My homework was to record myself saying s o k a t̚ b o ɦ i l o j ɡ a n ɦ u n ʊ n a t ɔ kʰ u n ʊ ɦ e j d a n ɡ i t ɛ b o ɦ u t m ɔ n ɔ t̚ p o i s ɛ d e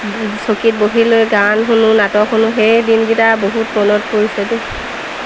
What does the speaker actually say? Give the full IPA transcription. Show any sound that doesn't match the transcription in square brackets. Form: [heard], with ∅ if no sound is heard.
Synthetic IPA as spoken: s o k [i] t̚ b o ɦ i l o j ɡ a n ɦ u n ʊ n a t ɔ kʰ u n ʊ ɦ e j d [i] n ɡ i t [a] b o ɦ u t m ɔ n ɔ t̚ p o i s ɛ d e